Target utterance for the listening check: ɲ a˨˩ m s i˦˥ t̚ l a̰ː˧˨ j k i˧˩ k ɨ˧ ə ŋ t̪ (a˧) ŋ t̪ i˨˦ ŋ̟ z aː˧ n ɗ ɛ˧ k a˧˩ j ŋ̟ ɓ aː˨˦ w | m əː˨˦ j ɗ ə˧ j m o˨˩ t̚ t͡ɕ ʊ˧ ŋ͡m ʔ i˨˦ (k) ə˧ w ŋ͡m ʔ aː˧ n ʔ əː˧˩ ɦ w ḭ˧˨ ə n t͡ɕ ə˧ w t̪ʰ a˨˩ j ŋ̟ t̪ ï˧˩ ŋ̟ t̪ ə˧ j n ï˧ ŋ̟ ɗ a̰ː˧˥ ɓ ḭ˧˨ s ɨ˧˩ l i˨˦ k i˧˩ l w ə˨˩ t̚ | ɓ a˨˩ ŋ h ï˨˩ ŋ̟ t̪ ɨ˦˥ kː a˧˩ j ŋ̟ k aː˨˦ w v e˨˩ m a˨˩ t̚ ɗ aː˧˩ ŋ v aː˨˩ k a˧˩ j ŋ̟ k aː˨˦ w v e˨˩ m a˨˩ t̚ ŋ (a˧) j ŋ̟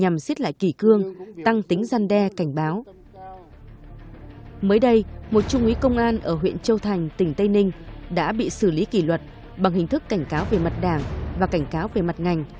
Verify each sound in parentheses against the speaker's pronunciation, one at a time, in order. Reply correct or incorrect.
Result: correct, correct, incorrect: a˨˩

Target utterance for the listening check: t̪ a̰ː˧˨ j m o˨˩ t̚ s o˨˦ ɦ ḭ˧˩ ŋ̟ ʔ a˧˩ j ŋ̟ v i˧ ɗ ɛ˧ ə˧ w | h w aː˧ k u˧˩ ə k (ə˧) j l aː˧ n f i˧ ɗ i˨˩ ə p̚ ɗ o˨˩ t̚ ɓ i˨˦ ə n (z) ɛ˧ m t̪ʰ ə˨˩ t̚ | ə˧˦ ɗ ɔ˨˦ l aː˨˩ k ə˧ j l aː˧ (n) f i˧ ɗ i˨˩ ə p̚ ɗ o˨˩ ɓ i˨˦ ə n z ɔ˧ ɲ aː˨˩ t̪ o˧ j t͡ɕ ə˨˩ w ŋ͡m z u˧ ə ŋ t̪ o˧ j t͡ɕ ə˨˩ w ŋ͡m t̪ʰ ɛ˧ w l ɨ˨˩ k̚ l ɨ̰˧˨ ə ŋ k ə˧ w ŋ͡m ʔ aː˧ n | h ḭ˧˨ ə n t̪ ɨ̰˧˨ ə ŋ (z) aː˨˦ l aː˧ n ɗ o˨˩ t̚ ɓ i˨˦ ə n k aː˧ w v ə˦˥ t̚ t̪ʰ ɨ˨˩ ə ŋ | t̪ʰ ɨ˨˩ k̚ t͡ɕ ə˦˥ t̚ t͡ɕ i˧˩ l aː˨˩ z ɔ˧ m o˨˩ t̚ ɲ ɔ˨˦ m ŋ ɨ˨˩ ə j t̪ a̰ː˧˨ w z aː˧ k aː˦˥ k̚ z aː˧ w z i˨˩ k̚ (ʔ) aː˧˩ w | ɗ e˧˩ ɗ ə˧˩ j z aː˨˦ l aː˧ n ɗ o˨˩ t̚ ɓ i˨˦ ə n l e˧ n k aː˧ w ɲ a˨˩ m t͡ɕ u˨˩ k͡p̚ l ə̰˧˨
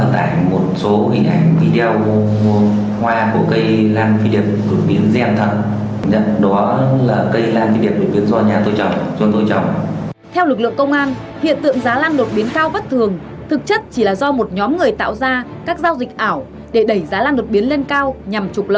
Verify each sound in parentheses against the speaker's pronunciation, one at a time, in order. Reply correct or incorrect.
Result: correct, correct, correct, correct, correct

